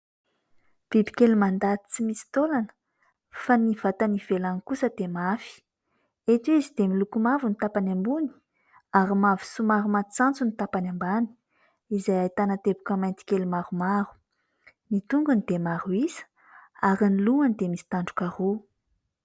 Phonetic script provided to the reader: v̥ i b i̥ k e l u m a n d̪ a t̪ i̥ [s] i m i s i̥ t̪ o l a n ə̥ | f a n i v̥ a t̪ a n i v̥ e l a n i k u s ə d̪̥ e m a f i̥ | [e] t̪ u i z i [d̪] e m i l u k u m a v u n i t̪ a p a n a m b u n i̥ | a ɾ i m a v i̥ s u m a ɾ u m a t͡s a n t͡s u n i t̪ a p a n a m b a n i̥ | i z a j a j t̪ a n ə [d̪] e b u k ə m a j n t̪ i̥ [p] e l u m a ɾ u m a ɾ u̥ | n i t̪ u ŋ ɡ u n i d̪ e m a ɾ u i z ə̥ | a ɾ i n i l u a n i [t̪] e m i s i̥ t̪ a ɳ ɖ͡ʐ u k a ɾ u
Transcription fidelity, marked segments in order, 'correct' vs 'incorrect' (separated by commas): incorrect, correct, correct, incorrect, incorrect, incorrect